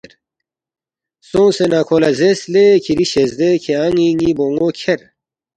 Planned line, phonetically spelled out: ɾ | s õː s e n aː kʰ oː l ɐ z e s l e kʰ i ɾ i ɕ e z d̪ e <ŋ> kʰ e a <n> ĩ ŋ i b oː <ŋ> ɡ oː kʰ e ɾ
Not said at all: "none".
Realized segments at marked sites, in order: none, ŋ, ŋ

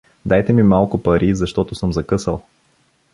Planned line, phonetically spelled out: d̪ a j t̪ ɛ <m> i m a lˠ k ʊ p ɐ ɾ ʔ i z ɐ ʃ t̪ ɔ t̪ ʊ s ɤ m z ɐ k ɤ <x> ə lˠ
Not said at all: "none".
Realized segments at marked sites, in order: m, s

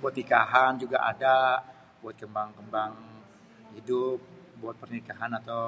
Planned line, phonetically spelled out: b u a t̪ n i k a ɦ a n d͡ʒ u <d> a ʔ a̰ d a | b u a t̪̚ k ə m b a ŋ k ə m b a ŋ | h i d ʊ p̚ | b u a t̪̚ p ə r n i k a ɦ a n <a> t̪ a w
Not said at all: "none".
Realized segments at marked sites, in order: ɡ, a

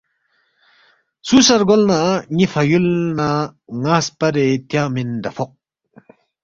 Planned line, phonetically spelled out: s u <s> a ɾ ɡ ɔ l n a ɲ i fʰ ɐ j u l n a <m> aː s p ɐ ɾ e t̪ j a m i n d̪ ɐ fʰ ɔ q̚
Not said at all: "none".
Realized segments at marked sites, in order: s, ŋ

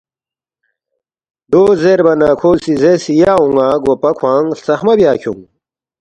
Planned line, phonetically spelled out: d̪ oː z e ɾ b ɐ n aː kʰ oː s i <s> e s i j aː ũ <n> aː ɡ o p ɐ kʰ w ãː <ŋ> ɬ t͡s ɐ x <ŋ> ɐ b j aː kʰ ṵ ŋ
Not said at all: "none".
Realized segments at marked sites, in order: z, ŋ, ŋ, m

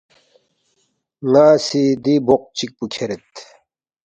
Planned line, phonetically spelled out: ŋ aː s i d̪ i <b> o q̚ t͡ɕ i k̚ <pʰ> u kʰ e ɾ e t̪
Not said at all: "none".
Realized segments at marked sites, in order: b, p

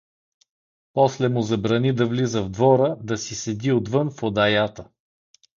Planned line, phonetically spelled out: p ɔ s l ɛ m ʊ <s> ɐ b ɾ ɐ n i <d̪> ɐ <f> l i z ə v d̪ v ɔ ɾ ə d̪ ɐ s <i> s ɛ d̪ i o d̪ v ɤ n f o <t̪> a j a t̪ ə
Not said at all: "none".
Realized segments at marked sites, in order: z, d̪, v, i, d̪

